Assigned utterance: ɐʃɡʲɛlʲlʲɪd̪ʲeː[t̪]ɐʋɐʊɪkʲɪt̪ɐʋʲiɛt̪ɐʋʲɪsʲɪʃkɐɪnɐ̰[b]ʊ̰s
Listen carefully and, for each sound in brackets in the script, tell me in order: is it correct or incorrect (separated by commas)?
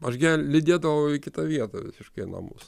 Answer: incorrect, incorrect